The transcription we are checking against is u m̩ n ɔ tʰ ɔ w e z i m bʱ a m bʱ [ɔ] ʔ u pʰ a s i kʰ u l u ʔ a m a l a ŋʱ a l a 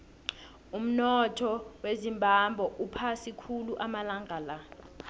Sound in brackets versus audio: correct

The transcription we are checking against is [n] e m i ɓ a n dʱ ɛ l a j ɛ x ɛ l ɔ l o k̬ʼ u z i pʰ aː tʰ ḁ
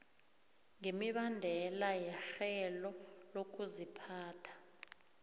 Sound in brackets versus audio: incorrect: ŋ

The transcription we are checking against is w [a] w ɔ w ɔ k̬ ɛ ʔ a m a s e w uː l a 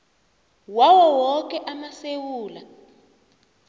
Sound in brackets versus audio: correct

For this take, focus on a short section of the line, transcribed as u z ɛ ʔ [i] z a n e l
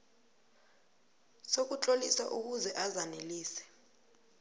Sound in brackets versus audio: incorrect: a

